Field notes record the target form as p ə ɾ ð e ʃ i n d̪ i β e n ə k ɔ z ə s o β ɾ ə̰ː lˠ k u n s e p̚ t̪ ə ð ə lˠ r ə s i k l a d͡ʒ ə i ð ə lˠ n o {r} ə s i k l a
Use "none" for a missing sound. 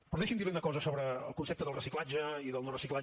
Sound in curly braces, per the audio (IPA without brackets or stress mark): r